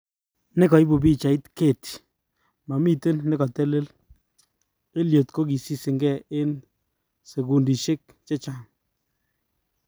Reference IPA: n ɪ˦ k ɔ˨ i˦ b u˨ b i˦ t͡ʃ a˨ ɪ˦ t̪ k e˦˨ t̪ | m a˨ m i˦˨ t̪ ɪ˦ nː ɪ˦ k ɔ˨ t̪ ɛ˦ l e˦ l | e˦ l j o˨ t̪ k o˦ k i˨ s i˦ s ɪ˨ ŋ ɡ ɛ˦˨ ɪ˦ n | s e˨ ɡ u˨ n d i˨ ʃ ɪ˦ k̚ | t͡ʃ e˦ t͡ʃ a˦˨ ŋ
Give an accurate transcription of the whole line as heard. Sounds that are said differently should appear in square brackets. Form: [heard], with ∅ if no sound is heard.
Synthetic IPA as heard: n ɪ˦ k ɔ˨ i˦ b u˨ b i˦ t͡ʃ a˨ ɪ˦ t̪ k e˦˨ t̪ | m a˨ m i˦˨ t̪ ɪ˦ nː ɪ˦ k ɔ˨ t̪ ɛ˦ l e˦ l | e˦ l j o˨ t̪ k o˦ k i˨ s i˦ s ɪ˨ ŋ ɡ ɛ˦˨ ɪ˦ n | s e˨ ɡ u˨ n d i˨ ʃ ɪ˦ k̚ | t͡ʃ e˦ t͡ʃ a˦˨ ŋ